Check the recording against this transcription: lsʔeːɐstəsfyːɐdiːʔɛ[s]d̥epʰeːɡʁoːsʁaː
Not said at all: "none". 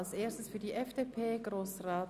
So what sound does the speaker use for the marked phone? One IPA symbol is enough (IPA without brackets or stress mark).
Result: f